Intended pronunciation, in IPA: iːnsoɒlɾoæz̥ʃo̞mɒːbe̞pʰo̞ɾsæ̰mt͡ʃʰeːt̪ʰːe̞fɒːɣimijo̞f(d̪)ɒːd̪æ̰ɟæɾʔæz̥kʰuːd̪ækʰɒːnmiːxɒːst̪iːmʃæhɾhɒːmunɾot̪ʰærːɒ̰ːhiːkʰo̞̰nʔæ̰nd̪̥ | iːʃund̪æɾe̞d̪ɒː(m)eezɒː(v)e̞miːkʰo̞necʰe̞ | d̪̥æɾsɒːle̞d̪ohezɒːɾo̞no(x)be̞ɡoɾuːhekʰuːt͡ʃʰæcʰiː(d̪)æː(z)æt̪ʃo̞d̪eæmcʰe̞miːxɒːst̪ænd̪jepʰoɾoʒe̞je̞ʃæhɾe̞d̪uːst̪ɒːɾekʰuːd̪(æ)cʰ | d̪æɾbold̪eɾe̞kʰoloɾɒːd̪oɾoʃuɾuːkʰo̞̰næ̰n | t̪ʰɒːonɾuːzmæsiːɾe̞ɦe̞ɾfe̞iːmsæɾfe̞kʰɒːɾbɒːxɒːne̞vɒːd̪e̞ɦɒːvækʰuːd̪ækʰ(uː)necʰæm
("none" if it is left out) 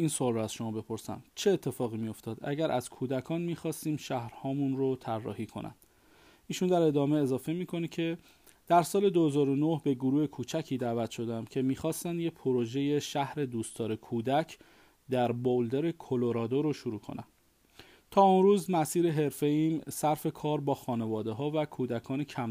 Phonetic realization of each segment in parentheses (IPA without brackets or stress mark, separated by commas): t̪, m, f, h, d̪, v, æ, ɒː